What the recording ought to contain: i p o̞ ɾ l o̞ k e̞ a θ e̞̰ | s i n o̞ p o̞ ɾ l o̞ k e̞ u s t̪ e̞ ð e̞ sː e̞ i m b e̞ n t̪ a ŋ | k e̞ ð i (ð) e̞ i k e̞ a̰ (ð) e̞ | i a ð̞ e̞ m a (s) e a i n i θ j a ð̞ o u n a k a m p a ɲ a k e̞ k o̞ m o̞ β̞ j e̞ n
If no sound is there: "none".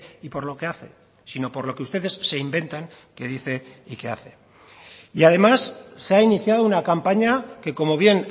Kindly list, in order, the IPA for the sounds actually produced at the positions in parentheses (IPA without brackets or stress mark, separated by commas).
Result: θ, θ, sː